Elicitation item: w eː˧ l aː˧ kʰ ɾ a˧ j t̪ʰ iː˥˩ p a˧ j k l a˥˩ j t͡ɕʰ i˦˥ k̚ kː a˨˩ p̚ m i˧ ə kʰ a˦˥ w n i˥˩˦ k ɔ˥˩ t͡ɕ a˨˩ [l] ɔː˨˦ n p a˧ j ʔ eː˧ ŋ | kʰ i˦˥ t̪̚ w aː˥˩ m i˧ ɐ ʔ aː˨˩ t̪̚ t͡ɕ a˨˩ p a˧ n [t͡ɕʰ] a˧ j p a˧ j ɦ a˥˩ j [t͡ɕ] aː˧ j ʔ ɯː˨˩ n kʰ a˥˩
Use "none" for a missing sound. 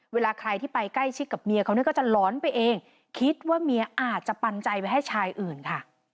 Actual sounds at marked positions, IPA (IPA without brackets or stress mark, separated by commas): l, t͡ɕ, t͡ɕʰ